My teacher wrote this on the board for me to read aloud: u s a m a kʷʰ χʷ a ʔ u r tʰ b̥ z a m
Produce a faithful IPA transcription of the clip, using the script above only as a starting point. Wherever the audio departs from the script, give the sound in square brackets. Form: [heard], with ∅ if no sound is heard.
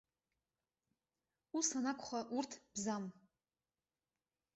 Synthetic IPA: u s a [n] a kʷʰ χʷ a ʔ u r tʰ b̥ z a m